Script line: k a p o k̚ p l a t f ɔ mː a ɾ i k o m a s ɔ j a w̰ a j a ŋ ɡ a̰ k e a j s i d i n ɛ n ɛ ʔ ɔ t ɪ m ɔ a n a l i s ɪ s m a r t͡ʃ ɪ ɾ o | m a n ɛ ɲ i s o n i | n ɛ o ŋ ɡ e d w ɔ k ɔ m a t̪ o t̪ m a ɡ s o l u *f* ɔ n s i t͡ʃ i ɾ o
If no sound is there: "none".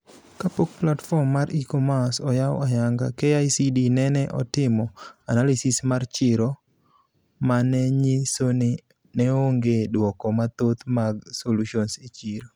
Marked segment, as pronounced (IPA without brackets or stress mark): ʃ